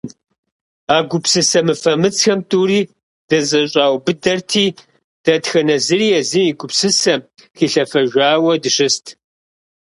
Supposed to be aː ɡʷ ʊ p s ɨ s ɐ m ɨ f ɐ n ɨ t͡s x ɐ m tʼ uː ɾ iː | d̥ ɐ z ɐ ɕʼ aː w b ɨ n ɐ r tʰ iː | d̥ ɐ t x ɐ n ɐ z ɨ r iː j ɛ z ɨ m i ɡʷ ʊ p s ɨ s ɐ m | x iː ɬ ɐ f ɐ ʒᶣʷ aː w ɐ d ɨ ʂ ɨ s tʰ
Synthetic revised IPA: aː ɡʷ ʊ p s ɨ s ɐ m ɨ f ɐ m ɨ t͡s x ɐ m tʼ uː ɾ iː | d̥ ɐ z ɐ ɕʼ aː w b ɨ d ɐ r tʰ iː | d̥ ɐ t x ɐ n ɐ z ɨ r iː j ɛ z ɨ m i ɡʷ ʊ p s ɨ s ɐ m | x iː ɬ ɐ f ɐ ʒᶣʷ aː w ɐ d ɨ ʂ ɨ s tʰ